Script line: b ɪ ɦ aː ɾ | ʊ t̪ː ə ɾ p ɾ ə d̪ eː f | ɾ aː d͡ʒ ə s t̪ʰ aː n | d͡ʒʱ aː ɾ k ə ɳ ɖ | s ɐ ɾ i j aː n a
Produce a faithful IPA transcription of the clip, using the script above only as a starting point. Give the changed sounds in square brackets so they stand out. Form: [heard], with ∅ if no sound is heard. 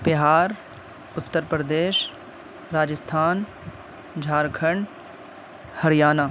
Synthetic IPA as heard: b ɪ ɦ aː ɾ | ʊ t̪ː ə ɾ p ɾ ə d̪ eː [ʃ] | ɾ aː d͡ʒ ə s t̪ʰ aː n | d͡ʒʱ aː ɾ [kʰ] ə ɳ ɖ | [h] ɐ ɾ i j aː n a